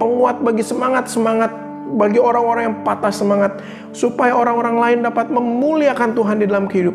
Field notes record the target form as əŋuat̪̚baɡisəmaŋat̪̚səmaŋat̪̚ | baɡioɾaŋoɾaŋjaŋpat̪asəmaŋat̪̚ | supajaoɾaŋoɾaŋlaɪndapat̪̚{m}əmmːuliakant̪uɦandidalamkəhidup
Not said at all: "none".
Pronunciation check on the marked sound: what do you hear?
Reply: m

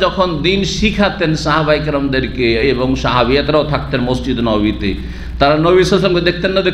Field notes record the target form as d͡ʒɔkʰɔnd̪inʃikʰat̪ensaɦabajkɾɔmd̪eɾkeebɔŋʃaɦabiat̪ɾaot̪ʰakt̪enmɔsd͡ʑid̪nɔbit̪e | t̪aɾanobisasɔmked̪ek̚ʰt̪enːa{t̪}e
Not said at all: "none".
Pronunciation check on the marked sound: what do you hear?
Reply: d̪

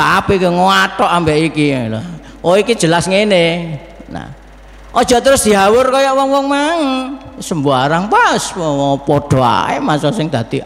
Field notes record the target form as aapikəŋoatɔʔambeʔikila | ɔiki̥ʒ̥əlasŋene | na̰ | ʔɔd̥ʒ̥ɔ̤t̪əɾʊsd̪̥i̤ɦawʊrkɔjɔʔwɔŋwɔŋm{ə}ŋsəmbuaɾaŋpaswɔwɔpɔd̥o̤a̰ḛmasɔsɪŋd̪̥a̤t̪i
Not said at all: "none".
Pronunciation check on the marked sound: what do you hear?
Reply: a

